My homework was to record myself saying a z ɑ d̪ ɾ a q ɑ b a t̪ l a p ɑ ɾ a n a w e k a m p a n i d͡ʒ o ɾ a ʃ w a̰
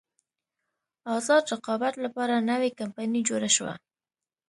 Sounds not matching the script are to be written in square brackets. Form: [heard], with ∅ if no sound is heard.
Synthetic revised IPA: [ɑ] z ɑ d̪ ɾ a q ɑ b a t̪ l a p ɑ ɾ a n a w e k a m p a n i d͡ʒ o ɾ a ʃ w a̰